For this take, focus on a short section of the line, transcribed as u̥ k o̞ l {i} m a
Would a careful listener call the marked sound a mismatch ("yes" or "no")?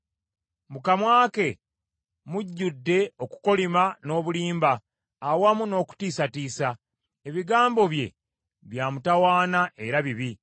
no